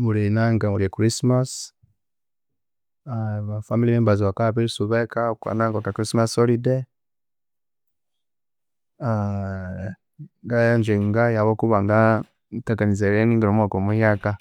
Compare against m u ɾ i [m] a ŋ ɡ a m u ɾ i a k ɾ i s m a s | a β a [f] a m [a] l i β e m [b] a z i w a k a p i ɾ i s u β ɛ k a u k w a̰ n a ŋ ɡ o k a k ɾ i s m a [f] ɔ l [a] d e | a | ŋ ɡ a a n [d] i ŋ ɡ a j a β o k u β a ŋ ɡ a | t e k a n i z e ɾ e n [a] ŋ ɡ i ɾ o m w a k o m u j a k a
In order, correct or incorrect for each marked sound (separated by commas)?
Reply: incorrect, correct, incorrect, correct, incorrect, incorrect, incorrect, incorrect